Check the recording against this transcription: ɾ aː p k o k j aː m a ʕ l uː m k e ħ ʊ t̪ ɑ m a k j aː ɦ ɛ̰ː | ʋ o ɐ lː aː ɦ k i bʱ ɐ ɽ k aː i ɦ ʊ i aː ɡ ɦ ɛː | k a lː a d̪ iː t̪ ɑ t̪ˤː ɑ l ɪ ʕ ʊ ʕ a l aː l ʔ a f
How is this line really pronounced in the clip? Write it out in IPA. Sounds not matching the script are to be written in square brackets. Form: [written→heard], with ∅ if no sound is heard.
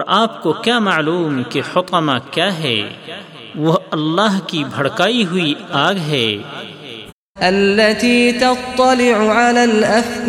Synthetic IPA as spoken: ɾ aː p k o k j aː m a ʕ l uː m k e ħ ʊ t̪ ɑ m a k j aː ɦ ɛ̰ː | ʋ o ɐ lː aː ɦ k i bʱ ɐ ɽ k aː i ɦ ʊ i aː ɡ ɦ ɛː | [k→ʔ] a lː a [d̪→t̪] iː t̪ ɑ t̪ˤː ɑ l ɪ ʕ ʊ ʕ a l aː l ʔ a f